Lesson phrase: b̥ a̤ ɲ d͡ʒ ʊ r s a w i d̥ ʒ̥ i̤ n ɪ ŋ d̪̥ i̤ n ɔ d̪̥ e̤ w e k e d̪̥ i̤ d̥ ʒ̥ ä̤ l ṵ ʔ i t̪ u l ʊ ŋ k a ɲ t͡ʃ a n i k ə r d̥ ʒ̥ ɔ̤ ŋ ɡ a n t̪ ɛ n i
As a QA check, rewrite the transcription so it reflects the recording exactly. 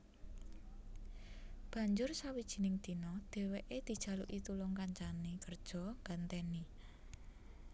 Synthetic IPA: b̥ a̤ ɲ d͡ʒ ʊ r s a w i d̥ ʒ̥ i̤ n ɪ ŋ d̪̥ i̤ n ɔ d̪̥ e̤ w e ʔ e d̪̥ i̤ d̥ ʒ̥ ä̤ l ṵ ʔ i t̪ u l ʊ ŋ k a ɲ t͡ʃ a n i k ə r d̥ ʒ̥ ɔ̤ ŋ ɡ a n t̪ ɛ n i